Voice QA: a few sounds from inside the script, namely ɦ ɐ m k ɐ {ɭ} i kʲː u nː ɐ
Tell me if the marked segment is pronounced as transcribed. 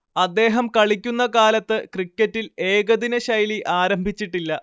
yes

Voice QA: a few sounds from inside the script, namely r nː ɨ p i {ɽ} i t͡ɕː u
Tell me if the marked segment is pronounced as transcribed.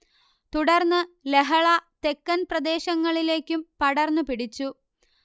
yes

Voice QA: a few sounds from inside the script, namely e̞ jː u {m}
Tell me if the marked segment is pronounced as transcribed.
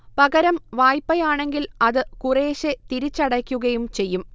yes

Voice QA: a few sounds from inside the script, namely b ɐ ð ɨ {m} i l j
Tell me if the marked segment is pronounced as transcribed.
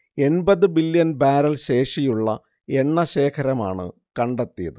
no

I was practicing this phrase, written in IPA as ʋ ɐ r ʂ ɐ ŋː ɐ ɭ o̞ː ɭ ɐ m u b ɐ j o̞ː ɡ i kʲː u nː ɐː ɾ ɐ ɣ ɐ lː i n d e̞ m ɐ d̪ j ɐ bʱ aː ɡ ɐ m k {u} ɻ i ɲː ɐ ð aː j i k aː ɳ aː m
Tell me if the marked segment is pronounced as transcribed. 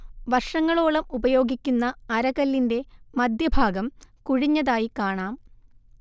yes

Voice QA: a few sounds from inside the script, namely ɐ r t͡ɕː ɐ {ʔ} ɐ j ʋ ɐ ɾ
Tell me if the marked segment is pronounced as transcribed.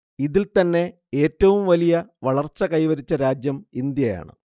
no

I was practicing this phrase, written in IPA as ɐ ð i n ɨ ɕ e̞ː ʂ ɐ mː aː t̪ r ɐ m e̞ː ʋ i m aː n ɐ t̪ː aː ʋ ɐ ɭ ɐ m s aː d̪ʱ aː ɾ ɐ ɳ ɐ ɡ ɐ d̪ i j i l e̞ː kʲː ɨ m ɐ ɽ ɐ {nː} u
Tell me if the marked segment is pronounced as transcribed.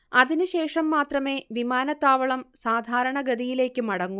no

